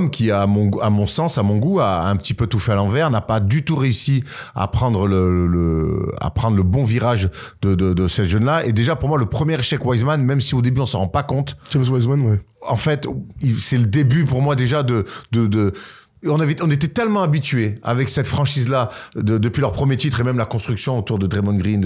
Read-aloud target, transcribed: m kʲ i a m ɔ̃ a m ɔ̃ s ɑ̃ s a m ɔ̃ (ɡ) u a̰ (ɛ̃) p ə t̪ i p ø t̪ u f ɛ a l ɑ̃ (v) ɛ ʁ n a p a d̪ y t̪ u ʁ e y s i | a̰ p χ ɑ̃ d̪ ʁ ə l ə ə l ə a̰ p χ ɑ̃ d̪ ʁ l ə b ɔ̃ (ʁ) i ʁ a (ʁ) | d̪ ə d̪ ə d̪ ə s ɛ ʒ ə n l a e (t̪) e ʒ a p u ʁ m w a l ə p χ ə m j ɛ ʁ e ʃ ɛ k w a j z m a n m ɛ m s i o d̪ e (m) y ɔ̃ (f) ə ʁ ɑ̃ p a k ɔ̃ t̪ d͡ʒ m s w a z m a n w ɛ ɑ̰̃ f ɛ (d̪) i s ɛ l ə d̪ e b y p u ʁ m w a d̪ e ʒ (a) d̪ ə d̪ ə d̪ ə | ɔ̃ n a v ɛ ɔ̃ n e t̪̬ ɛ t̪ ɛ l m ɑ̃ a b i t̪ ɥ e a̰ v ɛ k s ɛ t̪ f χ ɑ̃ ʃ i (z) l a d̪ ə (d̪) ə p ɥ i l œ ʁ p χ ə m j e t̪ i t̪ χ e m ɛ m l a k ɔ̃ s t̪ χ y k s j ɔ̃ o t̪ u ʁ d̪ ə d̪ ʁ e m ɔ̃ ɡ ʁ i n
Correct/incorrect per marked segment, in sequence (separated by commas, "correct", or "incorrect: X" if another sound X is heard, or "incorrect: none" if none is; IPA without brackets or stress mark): correct, correct, correct, incorrect: v, incorrect: ʒ, incorrect: d̪, incorrect: b, incorrect: s, incorrect: t̪, correct, correct, correct